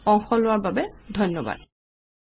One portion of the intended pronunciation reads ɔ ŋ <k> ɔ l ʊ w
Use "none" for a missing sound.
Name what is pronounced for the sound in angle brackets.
x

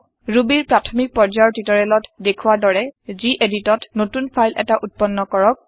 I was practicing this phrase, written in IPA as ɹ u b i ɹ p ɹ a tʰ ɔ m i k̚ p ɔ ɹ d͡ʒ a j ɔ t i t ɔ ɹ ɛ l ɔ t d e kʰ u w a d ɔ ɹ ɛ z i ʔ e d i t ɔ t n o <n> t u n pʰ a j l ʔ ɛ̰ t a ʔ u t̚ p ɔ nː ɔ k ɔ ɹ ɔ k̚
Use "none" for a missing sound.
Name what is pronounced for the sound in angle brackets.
none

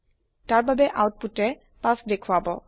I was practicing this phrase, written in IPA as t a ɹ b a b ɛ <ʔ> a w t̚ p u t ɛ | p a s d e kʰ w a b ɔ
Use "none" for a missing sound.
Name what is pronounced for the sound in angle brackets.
ʔ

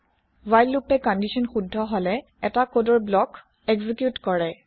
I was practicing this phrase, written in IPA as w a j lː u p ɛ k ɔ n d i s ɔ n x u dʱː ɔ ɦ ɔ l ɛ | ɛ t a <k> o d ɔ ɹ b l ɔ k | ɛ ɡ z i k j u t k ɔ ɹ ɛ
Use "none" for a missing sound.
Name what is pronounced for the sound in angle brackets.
k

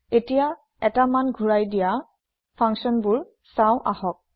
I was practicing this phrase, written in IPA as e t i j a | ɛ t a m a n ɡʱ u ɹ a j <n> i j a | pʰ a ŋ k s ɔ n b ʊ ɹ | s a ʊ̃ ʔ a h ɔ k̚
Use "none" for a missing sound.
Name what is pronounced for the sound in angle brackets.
d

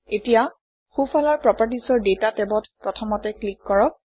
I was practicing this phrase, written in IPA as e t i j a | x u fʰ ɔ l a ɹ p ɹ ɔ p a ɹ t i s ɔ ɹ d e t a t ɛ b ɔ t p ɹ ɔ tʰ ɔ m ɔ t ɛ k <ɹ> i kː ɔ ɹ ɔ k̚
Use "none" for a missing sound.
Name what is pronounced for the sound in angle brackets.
l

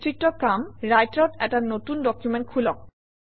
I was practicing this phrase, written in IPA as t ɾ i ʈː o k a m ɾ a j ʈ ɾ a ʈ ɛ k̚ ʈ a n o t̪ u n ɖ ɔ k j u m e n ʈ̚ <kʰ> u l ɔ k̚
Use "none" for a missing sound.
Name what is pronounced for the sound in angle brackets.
kʰ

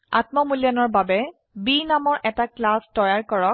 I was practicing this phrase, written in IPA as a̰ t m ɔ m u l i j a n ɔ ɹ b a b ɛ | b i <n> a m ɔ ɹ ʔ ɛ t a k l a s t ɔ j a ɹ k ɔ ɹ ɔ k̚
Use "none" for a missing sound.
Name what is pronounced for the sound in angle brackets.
n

